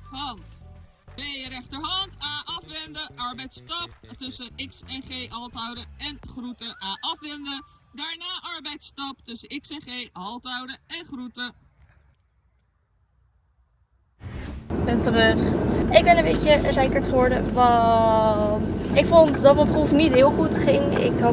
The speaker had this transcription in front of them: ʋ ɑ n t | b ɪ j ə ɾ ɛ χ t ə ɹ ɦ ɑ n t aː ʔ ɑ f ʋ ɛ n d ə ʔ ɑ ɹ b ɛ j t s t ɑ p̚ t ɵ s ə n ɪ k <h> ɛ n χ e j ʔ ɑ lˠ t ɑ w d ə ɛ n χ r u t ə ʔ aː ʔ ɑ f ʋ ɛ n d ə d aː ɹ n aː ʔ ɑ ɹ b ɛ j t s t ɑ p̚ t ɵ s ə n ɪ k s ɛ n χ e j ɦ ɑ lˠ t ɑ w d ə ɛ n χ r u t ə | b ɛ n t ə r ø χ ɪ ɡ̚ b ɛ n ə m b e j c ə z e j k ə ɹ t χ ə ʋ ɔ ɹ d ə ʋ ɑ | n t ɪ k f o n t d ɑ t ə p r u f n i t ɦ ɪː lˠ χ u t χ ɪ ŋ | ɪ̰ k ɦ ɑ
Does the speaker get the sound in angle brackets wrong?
yes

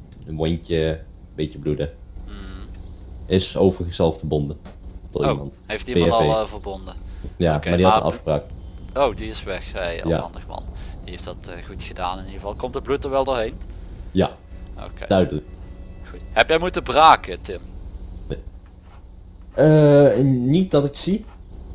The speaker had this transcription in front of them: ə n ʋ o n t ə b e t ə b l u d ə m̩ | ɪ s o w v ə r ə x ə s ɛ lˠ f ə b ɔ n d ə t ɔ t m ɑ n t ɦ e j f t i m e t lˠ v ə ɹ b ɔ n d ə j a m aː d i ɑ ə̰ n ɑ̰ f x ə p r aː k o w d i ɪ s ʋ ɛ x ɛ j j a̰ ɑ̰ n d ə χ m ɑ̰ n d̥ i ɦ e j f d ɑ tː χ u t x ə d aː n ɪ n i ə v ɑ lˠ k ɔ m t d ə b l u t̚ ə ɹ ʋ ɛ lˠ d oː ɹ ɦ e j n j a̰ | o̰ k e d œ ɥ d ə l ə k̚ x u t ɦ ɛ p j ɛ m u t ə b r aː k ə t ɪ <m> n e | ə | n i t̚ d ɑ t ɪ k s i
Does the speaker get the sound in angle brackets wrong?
no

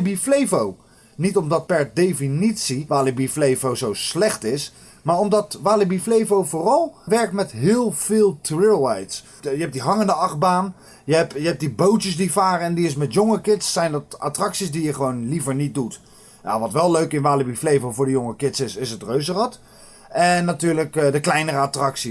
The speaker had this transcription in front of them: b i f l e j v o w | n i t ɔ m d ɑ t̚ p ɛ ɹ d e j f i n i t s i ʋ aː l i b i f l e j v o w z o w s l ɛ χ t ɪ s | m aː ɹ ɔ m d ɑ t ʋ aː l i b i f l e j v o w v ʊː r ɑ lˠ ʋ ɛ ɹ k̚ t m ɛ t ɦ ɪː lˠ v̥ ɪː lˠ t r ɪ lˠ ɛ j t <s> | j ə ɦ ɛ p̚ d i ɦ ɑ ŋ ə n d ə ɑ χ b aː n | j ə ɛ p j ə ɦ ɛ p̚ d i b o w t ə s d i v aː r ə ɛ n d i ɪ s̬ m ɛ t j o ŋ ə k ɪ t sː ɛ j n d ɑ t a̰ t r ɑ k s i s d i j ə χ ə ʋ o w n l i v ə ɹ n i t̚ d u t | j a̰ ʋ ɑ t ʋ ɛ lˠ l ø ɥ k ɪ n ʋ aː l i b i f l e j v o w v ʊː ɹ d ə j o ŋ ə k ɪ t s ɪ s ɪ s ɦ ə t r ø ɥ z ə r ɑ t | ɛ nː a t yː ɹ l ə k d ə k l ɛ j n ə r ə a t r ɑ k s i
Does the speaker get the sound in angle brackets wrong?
no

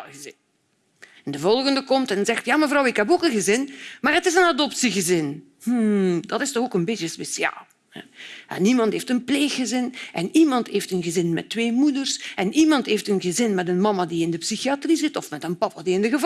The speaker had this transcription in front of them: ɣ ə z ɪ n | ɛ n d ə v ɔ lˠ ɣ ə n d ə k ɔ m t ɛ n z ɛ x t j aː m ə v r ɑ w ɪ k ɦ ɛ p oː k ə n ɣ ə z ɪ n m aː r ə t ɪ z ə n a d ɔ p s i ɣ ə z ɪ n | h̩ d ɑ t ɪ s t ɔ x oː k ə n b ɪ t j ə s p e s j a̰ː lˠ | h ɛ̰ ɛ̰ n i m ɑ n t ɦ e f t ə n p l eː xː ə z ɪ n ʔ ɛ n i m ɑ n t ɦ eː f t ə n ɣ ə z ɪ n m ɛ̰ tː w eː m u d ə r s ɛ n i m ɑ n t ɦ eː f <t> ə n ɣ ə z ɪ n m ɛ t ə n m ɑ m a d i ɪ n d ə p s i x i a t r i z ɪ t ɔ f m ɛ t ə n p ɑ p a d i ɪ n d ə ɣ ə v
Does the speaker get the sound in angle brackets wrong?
no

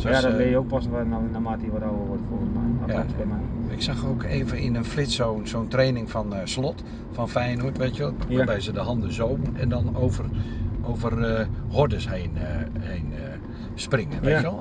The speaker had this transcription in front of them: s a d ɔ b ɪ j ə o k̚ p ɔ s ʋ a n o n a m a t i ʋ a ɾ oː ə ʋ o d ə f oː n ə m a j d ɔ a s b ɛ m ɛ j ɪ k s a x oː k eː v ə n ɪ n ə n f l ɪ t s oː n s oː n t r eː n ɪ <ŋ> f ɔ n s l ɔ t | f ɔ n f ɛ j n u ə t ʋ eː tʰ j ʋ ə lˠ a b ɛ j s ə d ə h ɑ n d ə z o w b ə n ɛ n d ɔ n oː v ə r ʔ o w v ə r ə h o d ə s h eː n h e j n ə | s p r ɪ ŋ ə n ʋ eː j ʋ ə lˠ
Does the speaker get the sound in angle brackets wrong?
no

